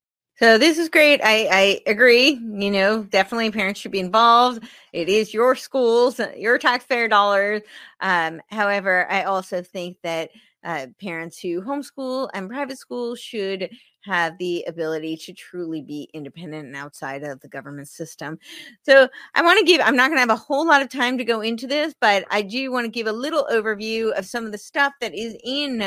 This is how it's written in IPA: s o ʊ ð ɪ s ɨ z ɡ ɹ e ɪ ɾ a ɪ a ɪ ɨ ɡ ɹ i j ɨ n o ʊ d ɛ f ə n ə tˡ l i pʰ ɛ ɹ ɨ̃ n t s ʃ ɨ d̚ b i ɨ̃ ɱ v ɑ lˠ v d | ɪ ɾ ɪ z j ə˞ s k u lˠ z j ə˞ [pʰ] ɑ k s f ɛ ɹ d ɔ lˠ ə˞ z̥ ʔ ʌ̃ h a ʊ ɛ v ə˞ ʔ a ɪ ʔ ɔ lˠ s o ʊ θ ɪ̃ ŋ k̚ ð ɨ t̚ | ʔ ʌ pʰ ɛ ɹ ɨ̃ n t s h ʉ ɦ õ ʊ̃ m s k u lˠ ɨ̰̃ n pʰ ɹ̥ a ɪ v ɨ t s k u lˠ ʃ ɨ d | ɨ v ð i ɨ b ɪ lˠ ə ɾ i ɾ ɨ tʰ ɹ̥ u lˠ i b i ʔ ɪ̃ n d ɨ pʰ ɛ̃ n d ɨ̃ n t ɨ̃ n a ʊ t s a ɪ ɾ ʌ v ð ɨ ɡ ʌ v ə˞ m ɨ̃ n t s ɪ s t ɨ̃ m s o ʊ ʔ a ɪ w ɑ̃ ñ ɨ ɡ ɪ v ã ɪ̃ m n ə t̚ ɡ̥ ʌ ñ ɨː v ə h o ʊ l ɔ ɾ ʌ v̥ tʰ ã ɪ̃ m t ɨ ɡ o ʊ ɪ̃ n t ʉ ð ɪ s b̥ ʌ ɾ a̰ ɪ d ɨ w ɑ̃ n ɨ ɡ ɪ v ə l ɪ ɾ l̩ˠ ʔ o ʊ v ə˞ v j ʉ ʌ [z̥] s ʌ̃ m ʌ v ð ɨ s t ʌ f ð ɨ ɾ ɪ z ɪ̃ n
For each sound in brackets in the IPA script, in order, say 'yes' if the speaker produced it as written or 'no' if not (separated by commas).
no, no